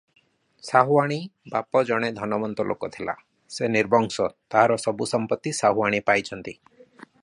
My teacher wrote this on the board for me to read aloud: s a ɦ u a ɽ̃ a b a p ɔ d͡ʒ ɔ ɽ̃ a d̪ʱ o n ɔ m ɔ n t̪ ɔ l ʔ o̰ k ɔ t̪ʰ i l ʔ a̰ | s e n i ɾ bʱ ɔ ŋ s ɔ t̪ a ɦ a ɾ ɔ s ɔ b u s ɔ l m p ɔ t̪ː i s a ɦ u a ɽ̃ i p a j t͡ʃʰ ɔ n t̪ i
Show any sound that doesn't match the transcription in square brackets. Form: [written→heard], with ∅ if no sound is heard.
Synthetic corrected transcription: s a ɦ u a ɽ̃ [a→i] b a p ɔ d͡ʒ ɔ ɽ̃ [a→e] d̪ʱ [o→ɔ] n ɔ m ɔ n t̪ ɔ l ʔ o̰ k ɔ t̪ʰ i l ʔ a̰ | s e n i ɾ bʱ ɔ ŋ s ɔ t̪ a ɦ a ɾ ɔ s ɔ b u s ɔ [l→∅] m p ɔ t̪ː i s a ɦ u a ɽ̃ i p a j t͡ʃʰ ɔ n t̪ i